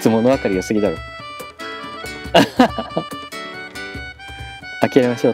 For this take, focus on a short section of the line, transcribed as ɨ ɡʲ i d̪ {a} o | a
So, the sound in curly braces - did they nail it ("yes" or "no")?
yes